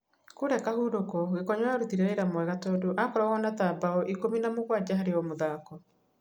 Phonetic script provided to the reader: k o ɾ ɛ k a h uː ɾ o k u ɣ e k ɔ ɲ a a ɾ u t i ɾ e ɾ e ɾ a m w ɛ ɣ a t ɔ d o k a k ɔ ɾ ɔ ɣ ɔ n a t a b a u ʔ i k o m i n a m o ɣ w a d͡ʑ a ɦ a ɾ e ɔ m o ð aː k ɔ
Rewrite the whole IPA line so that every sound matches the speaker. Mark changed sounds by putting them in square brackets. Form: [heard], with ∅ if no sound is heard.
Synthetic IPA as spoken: k o ɾ ɛ k a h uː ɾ o k [ɔ] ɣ e k ɔ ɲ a a ɾ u t i ɾ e ɾ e ɾ a m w ɛ ɣ a t ɔ d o [ʔ] a k ɔ ɾ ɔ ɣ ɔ n a t a b a [ɔ] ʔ i k o m i n a m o ɣ w a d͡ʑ a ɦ a ɾ e ɔ m o ð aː k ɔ